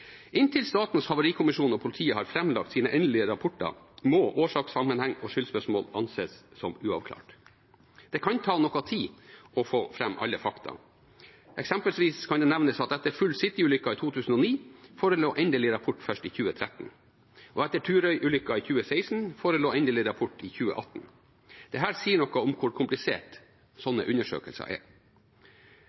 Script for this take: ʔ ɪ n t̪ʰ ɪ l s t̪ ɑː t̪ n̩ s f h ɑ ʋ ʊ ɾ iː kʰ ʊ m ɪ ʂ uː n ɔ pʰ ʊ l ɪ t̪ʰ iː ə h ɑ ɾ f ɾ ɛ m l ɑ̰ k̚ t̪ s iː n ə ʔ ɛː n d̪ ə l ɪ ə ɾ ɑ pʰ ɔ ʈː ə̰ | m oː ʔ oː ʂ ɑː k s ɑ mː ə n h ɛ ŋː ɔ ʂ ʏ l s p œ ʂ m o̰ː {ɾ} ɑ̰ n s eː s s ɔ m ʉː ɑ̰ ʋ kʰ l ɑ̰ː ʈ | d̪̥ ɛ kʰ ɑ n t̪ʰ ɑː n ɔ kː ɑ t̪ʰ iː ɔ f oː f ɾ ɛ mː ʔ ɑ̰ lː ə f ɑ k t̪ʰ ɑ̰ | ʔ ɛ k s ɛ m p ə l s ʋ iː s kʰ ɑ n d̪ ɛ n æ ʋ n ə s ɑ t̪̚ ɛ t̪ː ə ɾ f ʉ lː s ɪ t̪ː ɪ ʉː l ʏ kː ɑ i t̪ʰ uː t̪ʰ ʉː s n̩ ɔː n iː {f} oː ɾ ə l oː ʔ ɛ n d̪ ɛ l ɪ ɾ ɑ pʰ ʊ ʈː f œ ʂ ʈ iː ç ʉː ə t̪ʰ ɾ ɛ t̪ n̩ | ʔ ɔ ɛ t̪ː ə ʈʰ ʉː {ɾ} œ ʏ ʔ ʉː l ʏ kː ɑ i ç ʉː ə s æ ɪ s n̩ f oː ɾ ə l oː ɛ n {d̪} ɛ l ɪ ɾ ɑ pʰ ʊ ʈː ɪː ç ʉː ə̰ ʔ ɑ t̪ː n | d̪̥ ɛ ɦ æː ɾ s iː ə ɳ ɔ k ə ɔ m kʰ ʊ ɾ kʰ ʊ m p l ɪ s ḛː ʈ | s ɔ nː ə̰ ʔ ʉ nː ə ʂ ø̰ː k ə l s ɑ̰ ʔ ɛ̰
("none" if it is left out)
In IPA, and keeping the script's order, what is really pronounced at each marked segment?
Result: l, f, ɾ, d̪

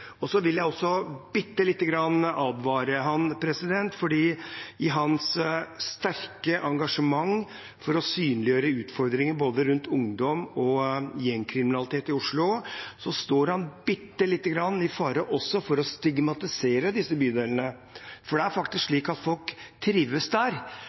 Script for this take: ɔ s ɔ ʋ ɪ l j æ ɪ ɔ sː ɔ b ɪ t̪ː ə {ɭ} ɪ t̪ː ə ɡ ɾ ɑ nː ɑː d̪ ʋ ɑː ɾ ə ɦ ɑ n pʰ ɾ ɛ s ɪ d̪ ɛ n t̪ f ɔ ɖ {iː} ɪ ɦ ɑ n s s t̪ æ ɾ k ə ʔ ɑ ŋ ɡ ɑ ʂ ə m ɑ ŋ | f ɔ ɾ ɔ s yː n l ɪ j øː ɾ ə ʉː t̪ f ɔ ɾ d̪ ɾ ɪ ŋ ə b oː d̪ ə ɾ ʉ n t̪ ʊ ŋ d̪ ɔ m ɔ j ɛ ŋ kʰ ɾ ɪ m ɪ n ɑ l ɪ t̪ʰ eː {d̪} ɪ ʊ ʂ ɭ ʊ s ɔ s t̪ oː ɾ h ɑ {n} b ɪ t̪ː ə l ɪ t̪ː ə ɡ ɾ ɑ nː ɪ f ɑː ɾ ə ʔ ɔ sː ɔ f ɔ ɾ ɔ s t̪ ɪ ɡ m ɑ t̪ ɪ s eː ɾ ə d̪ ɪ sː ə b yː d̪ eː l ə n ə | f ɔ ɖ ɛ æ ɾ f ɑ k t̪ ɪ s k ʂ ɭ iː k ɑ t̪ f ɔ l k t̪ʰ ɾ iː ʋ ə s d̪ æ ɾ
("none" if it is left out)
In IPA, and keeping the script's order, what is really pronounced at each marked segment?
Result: l, iː, t̪, n

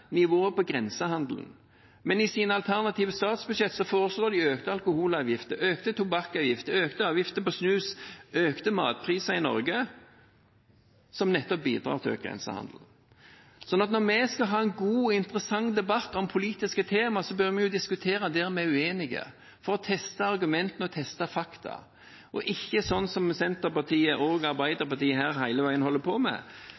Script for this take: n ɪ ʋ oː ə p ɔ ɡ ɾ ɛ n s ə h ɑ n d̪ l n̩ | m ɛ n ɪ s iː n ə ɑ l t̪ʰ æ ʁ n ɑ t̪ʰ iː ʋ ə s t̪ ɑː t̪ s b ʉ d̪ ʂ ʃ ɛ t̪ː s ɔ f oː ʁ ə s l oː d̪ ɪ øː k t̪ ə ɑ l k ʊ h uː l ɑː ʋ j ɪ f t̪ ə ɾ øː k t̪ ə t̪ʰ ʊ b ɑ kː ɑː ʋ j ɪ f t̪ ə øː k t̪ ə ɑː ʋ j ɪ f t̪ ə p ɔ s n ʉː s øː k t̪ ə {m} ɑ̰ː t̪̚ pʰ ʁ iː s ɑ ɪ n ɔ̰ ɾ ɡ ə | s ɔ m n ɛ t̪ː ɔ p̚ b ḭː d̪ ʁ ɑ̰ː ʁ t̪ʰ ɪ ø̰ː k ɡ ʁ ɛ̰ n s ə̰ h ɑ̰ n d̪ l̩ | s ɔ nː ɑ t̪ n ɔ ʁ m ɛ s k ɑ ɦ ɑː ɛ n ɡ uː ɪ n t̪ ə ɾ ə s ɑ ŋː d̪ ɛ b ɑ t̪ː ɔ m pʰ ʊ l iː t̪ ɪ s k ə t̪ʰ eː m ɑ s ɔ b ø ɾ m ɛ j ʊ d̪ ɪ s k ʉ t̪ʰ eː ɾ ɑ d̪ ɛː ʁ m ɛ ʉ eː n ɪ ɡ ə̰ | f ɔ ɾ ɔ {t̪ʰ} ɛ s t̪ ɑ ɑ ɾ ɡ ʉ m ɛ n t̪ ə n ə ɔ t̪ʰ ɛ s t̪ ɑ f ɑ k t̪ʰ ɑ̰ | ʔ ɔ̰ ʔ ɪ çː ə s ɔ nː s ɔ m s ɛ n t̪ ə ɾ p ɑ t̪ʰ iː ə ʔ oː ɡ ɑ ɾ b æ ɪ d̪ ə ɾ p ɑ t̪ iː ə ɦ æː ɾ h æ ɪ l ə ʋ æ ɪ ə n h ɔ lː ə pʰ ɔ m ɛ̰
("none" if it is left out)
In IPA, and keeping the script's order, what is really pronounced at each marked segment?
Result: m, t̪ʰ

